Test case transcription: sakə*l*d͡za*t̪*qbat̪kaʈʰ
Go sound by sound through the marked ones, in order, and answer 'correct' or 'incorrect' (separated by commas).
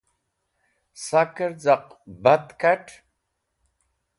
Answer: incorrect, incorrect